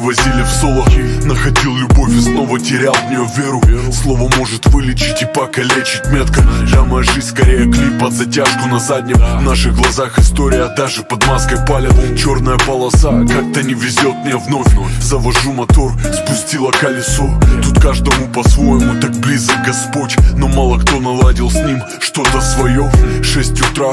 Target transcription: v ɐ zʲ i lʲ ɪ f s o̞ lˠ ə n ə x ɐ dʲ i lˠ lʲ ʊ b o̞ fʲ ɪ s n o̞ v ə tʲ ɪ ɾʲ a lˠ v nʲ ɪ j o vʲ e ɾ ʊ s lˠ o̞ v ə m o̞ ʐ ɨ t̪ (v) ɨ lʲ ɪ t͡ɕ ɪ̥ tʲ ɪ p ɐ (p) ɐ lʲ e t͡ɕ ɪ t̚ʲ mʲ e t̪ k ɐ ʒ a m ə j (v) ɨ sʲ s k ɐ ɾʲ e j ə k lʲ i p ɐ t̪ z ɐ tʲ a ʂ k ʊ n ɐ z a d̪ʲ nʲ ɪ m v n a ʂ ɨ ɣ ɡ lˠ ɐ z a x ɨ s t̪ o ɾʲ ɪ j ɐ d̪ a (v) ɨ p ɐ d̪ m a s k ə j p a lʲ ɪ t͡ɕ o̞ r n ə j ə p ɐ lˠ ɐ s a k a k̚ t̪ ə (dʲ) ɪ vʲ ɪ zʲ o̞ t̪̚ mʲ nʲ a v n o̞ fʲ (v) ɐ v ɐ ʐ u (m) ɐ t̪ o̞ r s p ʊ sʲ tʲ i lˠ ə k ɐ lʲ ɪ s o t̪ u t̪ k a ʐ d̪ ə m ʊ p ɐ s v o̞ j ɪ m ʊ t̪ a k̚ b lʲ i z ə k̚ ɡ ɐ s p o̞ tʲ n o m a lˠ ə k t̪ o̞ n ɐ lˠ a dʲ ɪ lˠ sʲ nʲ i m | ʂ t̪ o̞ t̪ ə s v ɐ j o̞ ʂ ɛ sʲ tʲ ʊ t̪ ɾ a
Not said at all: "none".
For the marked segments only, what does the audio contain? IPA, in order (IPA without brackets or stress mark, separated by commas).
v, k, ʐ, ʐ, nʲ, z, m